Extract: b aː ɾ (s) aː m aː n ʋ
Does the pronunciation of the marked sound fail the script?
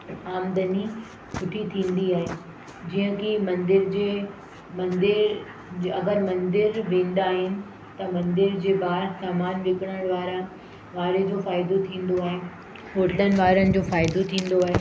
no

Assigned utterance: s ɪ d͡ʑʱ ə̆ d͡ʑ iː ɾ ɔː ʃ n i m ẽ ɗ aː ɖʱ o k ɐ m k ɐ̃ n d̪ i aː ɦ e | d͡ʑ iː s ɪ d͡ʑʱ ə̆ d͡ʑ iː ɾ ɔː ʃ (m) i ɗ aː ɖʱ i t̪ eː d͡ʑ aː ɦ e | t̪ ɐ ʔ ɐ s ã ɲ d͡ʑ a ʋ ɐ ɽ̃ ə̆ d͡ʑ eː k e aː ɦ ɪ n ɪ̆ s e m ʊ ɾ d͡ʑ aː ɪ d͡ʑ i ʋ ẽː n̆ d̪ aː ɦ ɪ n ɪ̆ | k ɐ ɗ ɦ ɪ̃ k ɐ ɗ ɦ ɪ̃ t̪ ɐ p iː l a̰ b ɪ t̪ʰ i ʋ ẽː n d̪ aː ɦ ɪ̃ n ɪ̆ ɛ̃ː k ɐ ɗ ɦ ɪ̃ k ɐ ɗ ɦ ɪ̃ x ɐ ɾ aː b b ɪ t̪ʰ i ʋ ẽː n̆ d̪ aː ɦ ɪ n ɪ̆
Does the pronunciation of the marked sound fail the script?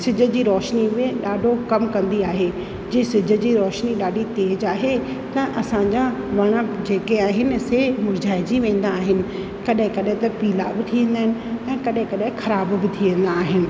yes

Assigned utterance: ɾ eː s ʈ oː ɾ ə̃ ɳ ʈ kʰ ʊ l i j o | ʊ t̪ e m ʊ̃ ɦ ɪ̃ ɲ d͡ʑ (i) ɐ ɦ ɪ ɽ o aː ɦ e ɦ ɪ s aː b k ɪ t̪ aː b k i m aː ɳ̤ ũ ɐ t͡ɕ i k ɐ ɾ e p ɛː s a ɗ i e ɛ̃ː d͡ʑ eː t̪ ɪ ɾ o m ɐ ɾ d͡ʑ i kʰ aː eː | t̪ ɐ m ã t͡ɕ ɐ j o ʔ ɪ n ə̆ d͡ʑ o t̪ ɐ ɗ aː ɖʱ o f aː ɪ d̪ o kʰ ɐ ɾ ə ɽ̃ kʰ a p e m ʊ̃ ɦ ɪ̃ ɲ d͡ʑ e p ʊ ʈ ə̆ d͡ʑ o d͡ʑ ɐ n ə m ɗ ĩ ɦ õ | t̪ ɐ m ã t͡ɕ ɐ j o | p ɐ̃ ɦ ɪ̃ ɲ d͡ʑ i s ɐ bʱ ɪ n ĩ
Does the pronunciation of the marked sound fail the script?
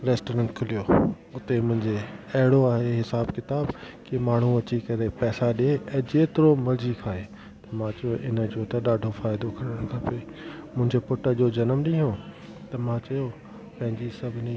yes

